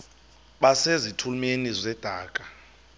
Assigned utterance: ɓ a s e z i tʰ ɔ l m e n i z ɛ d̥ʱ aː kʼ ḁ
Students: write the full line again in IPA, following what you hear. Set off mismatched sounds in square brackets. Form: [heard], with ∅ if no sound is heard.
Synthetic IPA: ɓ a s e z i tʰ [u] l m e n i z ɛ d̥ʱ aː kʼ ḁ

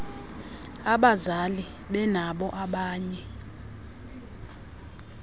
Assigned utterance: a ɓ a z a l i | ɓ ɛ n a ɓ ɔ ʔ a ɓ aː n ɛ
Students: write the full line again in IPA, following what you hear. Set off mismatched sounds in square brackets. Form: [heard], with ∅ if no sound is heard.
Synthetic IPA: a ɓ a z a l i | ɓ ɛ n a ɓ ɔ ʔ a ɓ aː [ɲ] ɛ

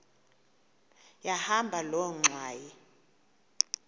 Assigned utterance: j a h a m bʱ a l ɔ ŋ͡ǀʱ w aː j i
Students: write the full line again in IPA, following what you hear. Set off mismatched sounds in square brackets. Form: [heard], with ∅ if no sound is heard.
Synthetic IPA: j a h a m bʱ a l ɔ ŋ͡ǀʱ w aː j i

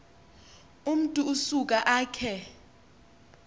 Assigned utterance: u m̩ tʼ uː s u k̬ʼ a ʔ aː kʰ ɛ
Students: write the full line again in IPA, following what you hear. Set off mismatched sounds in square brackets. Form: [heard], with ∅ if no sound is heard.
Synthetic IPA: u m̩ tʼ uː s u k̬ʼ a ʔ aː kʰ ɛ

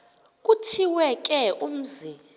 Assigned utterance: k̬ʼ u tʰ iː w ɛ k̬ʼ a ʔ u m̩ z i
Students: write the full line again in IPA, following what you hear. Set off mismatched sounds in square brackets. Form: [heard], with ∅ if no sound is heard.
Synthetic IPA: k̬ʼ u tʰ [i] w ɛ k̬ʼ [ɛ] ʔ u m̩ z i

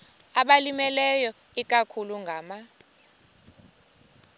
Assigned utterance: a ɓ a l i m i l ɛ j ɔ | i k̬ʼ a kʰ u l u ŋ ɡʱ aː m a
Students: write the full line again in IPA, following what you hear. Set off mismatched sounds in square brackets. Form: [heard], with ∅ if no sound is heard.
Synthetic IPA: a ɓ a l i m [ɛ] l ɛ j ɔ | i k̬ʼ a kʰ u l u ŋ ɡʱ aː m a

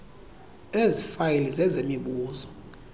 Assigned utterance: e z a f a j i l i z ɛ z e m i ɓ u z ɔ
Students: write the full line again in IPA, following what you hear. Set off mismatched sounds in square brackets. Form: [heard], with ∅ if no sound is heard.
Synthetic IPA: e z [i] f a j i l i z ɛ z e m i ɓ [uː] z ɔ

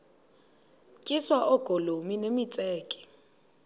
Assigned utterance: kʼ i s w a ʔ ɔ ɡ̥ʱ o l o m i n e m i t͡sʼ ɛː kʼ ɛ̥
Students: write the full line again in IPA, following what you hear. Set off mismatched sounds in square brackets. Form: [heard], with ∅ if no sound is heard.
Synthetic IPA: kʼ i s w a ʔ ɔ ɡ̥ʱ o l o m i n e m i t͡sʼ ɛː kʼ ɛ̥

